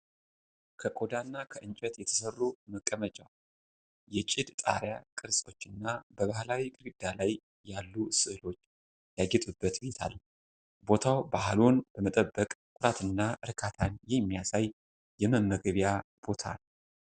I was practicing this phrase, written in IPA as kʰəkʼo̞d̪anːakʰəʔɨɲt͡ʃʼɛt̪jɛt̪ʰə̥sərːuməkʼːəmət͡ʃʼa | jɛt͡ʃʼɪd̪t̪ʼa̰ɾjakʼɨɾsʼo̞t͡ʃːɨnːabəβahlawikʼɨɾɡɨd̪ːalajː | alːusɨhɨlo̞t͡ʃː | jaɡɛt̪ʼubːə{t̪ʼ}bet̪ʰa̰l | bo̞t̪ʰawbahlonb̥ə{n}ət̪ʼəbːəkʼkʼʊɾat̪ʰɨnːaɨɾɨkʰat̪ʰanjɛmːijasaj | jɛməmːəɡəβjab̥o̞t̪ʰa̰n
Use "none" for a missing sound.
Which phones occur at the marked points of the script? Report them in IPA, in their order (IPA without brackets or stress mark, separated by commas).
t̪, m